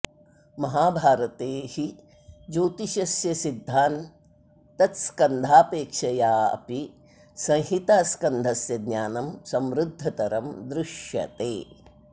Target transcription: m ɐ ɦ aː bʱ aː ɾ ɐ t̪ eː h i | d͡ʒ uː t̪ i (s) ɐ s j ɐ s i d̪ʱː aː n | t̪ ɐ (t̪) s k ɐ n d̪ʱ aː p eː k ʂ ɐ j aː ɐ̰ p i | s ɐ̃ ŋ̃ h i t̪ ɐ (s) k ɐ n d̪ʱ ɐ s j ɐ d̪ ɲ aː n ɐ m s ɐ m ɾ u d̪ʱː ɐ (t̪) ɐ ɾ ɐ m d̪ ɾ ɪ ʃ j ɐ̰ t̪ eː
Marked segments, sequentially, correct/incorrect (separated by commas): incorrect, correct, correct, correct